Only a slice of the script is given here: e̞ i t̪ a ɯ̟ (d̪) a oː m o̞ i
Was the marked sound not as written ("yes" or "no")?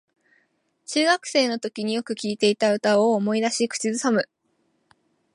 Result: yes